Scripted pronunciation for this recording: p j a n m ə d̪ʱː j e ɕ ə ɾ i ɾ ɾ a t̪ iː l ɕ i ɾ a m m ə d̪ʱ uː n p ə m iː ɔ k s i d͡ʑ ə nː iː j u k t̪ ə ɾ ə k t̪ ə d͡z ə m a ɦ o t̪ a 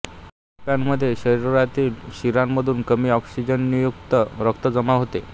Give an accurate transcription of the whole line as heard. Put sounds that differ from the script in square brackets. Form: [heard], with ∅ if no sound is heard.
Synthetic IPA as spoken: p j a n m ə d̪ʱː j e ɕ ə ɾ i ɾ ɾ a t̪ iː l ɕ i ɾ a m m ə d̪ʱ uː n [k] ə m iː ɔ k s i d͡ʑ ə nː [i] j u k t̪ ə ɾ ə k t̪ ə d͡z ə m a ɦ o t̪ [e]